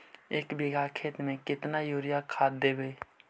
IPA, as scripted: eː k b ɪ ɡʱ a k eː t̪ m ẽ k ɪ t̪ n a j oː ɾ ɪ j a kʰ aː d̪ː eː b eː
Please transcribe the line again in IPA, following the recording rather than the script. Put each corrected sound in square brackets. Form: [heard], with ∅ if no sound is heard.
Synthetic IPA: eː k b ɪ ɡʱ a [kʰ] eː t̪ m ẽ k ɪ t̪ n a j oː ɾ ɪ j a kʰ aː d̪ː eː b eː